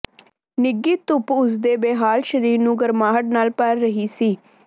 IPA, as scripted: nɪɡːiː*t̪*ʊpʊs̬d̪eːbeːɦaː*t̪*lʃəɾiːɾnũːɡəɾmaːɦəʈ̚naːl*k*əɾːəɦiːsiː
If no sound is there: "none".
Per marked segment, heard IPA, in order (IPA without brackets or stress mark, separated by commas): t̪, none, p